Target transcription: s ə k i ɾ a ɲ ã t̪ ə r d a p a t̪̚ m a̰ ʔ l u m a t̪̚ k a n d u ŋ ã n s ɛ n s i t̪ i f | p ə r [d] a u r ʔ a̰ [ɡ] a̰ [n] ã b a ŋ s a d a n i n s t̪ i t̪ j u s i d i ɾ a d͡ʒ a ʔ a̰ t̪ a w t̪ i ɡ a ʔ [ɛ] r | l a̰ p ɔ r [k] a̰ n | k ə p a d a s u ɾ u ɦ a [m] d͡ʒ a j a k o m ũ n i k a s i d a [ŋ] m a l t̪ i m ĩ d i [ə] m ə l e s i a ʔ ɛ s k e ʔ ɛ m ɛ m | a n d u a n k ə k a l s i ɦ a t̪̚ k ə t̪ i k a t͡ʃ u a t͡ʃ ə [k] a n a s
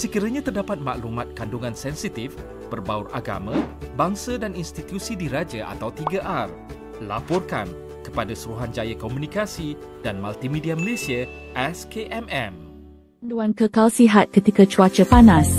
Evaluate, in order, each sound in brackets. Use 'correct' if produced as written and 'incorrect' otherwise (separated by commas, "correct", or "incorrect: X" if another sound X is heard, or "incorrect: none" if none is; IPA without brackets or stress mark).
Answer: incorrect: b, correct, incorrect: m, incorrect: a, correct, incorrect: n, incorrect: n, incorrect: a, incorrect: p